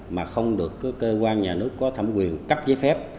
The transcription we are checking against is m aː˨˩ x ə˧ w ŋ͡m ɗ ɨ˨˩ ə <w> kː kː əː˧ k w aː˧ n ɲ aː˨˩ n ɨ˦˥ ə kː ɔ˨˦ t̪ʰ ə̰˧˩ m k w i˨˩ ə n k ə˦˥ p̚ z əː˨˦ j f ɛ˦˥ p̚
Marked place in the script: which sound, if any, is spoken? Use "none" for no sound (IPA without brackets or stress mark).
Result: none